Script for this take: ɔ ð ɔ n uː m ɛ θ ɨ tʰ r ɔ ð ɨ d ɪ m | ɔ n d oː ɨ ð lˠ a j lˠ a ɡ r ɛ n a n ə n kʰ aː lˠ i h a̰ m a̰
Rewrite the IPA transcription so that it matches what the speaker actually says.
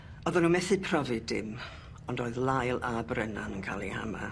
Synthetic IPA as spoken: ɔ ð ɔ n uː m ɛ θ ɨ pʰ r ɔ v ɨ d ɪ m | ɔ n d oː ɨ ð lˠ a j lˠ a b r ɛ n a n ə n kʰ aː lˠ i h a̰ m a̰